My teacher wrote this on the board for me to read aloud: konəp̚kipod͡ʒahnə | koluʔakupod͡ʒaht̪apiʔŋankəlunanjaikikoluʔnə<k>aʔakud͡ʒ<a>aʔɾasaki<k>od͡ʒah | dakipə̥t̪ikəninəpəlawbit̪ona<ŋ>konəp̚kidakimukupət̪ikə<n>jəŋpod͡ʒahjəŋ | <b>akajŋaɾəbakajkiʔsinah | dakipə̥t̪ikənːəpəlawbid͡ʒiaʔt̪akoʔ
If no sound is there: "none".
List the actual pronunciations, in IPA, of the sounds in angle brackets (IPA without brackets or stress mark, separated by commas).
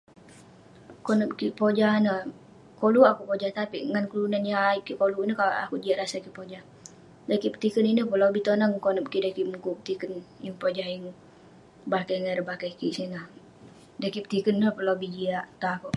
k, i, p, ŋ, n, b